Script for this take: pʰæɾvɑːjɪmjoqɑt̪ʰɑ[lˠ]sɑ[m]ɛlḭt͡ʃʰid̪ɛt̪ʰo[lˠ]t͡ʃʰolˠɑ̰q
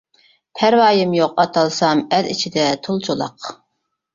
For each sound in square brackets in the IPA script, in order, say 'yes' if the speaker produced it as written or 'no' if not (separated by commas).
yes, yes, yes